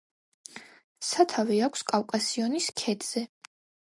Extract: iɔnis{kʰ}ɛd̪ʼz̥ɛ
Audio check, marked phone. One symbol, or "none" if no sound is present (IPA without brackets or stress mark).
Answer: kʰ